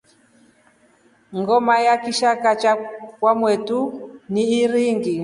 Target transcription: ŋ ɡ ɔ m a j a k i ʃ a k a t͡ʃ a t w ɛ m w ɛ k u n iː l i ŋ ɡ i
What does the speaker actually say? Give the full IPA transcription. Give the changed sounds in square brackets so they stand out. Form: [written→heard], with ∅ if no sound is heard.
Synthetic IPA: ŋ ɡ ɔ m a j a k i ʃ a k a t͡ʃ a [t→k] w [ɛ→a] m w ɛ [k→t] u n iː [l→ɾ] i ŋ ɡ i